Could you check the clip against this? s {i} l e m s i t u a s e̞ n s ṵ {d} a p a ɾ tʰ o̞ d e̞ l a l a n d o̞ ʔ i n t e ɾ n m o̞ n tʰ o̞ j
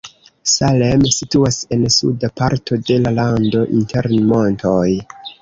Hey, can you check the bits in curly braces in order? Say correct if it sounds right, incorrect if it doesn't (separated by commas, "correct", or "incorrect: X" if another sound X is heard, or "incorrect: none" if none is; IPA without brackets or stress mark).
incorrect: a, correct